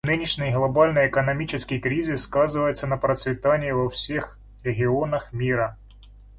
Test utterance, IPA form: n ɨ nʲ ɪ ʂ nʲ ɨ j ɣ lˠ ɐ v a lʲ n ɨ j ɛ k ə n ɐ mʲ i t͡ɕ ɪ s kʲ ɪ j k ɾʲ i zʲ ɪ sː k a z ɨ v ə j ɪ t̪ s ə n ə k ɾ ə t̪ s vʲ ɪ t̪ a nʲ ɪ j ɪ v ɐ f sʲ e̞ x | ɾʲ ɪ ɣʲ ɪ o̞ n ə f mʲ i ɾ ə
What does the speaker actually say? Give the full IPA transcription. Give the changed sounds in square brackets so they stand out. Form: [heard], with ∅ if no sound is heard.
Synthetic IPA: n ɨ nʲ ɪ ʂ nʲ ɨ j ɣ lˠ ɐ [b] a lʲ n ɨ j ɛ k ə n ɐ mʲ i t͡ɕ ɪ s kʲ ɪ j k ɾʲ i zʲ ɪ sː k a z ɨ v ə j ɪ t̪ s ə n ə [p] ɾ ə t̪ s vʲ ɪ t̪ a nʲ ɪ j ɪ v ɐ f sʲ e̞ x | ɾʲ ɪ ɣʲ ɪ o̞ n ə [x] mʲ i ɾ ə

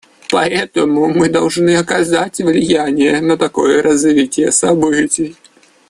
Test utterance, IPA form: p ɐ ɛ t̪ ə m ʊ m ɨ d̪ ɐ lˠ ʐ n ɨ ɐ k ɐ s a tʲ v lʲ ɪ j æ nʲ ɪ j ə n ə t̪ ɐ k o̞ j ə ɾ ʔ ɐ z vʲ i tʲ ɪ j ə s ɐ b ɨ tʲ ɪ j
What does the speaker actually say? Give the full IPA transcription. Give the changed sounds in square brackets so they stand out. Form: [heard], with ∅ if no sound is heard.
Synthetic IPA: p ɐ ɛ t̪ ə m ʊ m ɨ d̪ ɐ lˠ ʐ n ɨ ɐ k ɐ [z] a tʲ v lʲ ɪ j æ nʲ ɪ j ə n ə t̪ ɐ k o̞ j ə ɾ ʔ ɐ z vʲ i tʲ ɪ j ə s ɐ b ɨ tʲ ɪ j

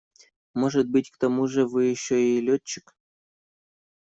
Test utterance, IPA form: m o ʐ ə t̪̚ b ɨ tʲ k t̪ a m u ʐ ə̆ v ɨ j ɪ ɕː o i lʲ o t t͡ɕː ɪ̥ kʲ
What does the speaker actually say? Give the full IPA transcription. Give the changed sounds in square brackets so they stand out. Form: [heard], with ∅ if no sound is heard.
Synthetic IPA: m o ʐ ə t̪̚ b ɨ tʲ k t̪ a m u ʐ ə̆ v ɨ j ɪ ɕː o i lʲ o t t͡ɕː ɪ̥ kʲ

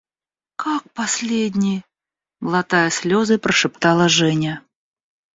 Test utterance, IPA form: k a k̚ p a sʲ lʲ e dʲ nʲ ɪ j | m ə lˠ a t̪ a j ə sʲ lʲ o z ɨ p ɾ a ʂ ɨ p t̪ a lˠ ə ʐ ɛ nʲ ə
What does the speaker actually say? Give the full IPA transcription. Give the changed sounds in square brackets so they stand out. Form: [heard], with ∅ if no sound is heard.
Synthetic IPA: k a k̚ p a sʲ lʲ e dʲ nʲ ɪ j | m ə lˠ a t̪ a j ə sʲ lʲ o z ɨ p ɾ [ə] ʂ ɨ p t̪ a lˠ ə ʐ ɛ nʲ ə

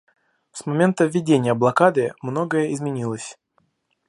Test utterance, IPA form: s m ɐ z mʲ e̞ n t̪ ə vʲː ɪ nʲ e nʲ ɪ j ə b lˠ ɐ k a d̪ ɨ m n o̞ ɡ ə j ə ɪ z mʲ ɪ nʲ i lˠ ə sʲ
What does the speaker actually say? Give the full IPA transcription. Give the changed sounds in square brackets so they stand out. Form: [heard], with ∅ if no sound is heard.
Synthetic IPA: s m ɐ [∅] mʲ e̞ n t̪ ə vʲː ɪ [dʲ] e nʲ ɪ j ə b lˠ ɐ k a d̪ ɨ m n o̞ ɡ ə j ə ɪ z mʲ ɪ nʲ i lˠ ə sʲ

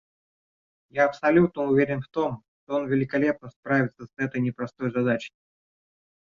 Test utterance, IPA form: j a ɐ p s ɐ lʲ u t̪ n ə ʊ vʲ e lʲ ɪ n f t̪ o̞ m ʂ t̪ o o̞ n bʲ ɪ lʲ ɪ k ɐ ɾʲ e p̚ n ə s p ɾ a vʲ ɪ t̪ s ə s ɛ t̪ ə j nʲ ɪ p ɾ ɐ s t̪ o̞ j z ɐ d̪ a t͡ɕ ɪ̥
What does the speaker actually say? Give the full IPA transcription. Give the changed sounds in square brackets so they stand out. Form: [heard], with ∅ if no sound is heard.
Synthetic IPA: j a ɐ p s ɐ lʲ u t̪ n ə ʊ vʲ e [ɾʲ] ɪ n f t̪ o̞ m ʂ t̪ o o̞ n [vʲ] ɪ lʲ ɪ k ɐ [lʲ] e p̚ n ə s p ɾ a vʲ ɪ t̪ s ə s ɛ t̪ ə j nʲ ɪ p ɾ ɐ s t̪ o̞ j z ɐ d̪ a t͡ɕ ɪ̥

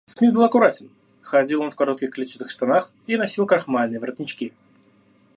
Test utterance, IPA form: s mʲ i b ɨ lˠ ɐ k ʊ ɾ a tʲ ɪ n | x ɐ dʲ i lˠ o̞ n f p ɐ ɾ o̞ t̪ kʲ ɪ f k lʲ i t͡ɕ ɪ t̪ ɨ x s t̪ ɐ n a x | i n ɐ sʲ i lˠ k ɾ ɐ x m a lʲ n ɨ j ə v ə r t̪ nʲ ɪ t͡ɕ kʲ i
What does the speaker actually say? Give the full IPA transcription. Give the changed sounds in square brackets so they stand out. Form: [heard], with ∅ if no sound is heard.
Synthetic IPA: s mʲ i b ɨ lˠ ɐ k ʊ ɾ a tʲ ɪ n | x ɐ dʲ i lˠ o̞ n f [k] ɐ ɾ o̞ t̪ kʲ ɪ [x] k lʲ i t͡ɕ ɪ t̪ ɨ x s t̪ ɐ n a x | i n ɐ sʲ i lˠ k ɾ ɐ x m a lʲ n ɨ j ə v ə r t̪ nʲ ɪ t͡ɕ kʲ i

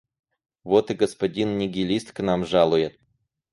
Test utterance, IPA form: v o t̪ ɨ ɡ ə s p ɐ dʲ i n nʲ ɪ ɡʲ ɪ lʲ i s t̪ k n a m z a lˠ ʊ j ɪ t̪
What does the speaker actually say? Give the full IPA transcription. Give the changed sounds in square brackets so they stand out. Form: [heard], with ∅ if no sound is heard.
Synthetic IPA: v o t̪ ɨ ɡ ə s p ɐ dʲ i n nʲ ɪ ɡʲ ɪ lʲ i s t̪ k n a m [ʐ] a lˠ ʊ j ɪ t̪

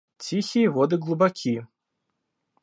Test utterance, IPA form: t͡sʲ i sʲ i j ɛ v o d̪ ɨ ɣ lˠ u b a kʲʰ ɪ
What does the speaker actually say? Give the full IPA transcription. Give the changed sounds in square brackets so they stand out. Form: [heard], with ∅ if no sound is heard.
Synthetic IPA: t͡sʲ i [xʲ] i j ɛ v [ɔ] d̪ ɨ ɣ lˠ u b a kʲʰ [i]

